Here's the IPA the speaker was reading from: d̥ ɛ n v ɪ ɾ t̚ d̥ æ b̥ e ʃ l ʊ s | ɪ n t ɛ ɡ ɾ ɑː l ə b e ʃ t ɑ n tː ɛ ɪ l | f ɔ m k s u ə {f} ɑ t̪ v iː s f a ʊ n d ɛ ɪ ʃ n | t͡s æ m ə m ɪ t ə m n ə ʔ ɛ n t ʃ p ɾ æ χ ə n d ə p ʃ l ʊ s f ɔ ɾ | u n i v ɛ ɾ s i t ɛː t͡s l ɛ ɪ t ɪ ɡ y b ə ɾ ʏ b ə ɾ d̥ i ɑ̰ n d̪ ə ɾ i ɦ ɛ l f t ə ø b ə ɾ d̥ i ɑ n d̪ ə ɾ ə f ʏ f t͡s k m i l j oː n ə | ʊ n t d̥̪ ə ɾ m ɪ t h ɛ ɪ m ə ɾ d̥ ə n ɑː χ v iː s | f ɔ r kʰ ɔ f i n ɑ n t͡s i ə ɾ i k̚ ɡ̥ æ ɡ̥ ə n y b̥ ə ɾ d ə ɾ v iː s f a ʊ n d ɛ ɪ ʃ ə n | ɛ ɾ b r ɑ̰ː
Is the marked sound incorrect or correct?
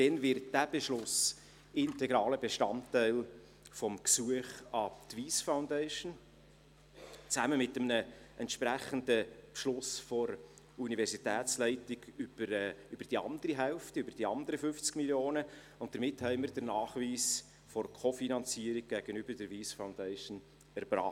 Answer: incorrect